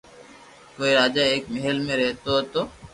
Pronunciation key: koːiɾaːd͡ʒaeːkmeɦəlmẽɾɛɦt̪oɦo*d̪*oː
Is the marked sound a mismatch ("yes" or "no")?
yes